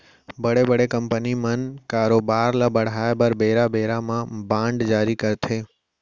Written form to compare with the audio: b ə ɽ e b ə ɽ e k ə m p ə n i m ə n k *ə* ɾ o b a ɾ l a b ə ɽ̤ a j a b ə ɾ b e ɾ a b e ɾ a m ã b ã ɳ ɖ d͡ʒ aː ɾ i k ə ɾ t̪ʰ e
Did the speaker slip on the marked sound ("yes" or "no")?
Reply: yes